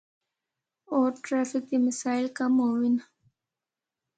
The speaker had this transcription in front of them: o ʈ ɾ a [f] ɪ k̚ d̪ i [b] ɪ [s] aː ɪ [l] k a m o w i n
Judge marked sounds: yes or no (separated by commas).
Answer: yes, no, yes, yes